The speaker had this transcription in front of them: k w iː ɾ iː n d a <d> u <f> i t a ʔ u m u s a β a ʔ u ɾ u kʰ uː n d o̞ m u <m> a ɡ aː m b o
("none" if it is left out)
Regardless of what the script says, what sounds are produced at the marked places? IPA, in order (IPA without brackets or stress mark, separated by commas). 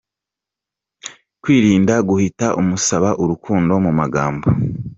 ɡ, h, m